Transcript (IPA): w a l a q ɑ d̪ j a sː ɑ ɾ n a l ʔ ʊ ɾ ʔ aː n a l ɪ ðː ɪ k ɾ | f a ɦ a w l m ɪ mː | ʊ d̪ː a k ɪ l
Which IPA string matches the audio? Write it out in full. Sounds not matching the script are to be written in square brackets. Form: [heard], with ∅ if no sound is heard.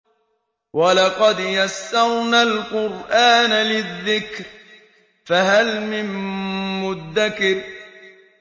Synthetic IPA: w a l [ɑ] q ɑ d̪ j a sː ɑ ɾ n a l [q] ʊ ɾ ʔ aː n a l ɪ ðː ɪ k ɾ | f a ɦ a [∅] l m ɪ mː | ʊ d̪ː a k ɪ [ɾ]